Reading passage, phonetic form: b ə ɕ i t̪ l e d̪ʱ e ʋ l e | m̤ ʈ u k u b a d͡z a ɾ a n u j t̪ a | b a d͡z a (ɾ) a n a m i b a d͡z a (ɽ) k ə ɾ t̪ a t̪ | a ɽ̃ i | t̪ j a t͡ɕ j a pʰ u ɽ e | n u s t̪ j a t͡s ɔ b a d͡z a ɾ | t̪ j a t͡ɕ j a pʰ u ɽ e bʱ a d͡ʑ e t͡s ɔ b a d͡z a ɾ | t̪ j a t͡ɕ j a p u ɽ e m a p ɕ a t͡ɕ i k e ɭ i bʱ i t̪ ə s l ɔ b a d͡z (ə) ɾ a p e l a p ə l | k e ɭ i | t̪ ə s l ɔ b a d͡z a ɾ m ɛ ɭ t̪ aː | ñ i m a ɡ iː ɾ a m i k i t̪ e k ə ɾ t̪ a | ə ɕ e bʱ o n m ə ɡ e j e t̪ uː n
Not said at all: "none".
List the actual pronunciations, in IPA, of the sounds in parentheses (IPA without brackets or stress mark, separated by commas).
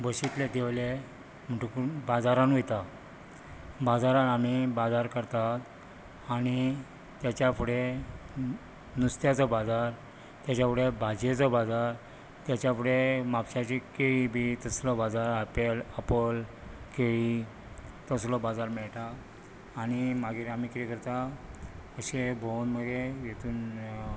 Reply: ɾ, ɾ, a